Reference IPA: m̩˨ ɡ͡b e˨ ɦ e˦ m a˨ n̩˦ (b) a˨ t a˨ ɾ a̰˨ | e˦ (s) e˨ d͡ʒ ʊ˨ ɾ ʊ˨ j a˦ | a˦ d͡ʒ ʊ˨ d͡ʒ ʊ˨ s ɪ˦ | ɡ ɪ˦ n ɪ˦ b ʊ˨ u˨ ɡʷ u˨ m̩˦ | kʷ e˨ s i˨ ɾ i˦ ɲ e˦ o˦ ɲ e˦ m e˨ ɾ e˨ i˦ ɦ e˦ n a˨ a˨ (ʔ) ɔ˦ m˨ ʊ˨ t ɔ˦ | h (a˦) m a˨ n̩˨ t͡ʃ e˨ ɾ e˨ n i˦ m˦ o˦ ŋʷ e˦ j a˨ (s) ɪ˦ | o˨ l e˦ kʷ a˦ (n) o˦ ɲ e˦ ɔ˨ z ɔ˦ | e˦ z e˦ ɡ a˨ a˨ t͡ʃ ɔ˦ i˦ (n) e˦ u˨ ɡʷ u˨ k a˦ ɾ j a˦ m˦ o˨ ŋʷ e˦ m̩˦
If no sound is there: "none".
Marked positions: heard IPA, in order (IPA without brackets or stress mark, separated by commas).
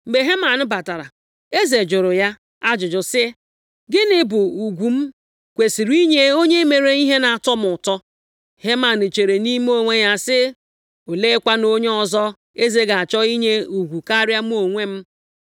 b, z, t, e˦, s, n, ɲ